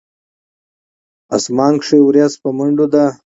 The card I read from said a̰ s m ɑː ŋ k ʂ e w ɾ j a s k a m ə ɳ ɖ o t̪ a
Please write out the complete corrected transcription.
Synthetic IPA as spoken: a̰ s m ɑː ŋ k ʂ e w ɾ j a s p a m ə ɳ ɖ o d̪ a